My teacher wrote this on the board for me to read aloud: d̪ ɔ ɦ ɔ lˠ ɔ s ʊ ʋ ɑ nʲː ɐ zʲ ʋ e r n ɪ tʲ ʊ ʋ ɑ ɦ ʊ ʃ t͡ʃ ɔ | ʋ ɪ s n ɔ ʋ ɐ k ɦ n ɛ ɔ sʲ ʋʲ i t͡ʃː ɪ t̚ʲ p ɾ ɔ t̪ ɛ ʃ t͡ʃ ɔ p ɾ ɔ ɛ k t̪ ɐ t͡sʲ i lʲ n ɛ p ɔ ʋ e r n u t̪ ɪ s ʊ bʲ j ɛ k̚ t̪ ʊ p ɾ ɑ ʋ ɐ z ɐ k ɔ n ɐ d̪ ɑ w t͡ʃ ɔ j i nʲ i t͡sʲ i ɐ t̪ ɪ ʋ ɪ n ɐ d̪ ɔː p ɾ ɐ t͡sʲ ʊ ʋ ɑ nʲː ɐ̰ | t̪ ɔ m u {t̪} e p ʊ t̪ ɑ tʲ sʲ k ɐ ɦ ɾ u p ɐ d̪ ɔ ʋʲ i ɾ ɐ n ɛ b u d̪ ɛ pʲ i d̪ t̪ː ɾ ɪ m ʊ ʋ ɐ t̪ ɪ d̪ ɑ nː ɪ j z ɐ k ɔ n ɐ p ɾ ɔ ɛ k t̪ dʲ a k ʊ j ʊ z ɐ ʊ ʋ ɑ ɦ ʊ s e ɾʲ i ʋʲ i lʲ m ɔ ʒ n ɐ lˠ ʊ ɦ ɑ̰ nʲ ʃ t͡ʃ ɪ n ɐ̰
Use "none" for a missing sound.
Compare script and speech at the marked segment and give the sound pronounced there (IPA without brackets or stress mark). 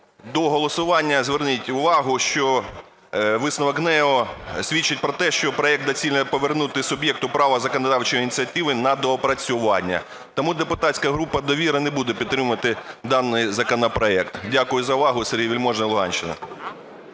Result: d̪